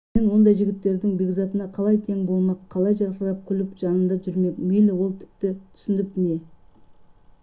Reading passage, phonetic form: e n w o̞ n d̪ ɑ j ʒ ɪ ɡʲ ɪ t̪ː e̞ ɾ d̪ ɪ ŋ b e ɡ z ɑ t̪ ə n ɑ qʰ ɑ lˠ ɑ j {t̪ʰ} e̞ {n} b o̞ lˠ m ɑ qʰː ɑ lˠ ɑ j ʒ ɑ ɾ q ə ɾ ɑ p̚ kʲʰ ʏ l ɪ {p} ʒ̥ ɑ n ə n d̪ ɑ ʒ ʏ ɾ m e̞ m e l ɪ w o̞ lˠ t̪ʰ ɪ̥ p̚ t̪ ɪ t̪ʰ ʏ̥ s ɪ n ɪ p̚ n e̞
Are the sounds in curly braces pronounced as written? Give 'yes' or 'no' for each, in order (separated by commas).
yes, no, yes